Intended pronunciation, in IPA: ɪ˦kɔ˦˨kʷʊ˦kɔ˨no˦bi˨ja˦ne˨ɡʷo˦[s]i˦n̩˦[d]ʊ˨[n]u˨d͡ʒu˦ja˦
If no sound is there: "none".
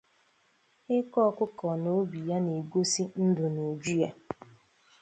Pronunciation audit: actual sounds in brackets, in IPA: s, d, n

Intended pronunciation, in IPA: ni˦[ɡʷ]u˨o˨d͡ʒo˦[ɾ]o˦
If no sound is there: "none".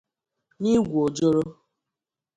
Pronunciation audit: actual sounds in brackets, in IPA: ɡʷ, ɾ

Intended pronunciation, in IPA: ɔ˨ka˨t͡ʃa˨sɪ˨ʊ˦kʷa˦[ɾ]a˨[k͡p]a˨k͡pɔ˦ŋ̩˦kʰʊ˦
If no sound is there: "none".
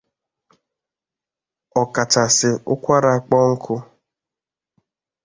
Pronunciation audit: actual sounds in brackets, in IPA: ɾ, none

